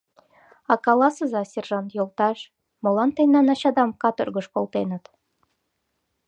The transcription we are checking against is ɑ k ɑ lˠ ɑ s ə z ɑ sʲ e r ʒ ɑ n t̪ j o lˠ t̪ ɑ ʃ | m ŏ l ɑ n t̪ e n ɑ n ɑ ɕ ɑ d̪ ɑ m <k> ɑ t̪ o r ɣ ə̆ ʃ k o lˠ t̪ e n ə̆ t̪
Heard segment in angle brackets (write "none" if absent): k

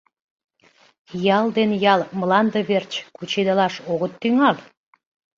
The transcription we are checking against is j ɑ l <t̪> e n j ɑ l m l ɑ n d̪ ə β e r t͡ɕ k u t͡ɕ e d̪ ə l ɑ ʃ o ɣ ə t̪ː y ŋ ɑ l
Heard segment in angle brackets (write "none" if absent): d̪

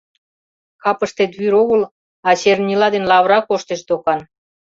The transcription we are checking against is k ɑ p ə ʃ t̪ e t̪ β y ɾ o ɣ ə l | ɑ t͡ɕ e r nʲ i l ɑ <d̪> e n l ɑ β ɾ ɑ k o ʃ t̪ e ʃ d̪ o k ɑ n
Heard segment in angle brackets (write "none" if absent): d̪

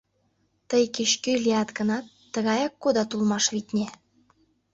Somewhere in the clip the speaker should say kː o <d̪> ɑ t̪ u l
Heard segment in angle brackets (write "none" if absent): d̪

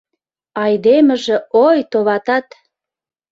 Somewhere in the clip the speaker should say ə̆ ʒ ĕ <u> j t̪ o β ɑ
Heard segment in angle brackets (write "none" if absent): o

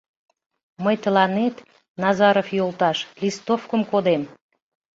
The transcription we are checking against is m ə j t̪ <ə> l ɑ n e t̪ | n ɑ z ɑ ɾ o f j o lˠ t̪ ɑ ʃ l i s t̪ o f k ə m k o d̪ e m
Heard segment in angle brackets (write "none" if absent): ə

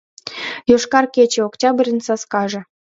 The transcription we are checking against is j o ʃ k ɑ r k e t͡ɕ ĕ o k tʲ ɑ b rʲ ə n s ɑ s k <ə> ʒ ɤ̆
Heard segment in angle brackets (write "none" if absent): ɑ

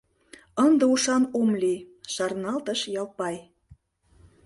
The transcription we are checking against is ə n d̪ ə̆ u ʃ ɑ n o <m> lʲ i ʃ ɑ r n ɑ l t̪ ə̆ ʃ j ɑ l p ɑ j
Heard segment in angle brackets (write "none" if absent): m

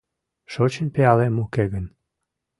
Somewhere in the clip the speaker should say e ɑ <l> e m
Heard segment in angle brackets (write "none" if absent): l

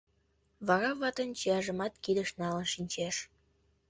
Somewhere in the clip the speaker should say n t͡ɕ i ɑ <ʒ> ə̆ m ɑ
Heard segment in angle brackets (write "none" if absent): ʒ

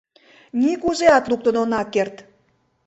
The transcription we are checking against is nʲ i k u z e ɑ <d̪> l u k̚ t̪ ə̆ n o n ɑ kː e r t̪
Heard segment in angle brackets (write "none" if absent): t̪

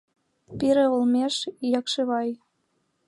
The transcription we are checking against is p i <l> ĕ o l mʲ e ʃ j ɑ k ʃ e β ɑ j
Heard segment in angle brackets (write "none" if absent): ɾ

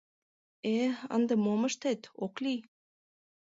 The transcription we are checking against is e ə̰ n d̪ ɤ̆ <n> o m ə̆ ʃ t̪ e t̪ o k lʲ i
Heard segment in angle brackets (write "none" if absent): m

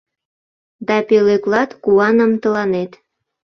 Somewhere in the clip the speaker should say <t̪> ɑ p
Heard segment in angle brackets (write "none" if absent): d̪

